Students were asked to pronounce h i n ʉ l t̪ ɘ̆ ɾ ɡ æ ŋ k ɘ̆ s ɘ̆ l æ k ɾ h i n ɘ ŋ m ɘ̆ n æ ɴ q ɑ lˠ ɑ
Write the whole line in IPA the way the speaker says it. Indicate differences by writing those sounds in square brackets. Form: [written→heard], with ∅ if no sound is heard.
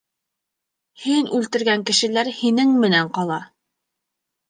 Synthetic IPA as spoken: h i n ʉ l t̪ ɘ̆ ɾ ɡ æ ŋ k ɘ̆ [s→ʃ] ɘ̆ l æ [k→∅] ɾ h i n ɘ ŋ m ɘ̆ n æ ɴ q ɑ lˠ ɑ